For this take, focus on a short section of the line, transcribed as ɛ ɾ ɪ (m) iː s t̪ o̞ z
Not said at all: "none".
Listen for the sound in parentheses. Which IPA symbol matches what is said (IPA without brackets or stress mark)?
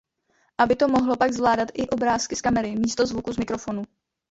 m